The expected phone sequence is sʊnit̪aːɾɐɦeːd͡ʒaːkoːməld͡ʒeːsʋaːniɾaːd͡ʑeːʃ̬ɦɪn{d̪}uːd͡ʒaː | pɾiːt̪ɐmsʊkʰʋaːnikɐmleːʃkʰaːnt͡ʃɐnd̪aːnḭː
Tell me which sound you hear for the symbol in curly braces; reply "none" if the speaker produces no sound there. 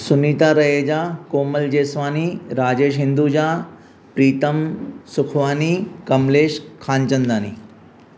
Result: d̪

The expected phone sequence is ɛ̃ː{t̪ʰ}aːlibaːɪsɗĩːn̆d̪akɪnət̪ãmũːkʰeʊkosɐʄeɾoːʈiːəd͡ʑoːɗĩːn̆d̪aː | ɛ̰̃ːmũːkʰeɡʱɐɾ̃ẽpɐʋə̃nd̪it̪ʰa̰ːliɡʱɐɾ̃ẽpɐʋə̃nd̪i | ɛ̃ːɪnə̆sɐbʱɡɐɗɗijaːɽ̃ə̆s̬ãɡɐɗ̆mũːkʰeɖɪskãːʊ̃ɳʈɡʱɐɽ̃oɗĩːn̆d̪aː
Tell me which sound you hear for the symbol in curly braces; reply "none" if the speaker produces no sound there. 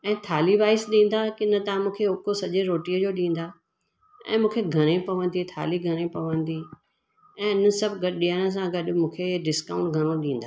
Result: t̪ʰ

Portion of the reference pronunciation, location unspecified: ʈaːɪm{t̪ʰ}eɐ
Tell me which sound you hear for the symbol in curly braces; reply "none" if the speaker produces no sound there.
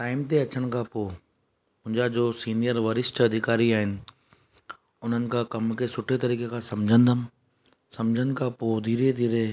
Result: t̪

